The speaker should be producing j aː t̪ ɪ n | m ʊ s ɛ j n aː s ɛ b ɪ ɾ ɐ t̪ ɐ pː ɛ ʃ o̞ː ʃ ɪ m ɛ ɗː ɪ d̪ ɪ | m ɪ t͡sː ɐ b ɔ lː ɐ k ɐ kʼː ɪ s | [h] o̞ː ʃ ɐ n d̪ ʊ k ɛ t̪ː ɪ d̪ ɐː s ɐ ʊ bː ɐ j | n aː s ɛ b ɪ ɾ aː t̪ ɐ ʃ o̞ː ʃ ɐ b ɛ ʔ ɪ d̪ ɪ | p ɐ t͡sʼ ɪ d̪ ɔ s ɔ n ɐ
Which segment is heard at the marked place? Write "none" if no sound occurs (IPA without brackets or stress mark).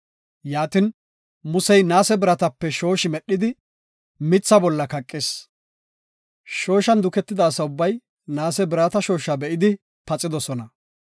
ʃ